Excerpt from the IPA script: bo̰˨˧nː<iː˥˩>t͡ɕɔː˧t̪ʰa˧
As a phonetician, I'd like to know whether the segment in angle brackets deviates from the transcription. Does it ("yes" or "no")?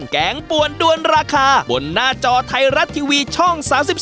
yes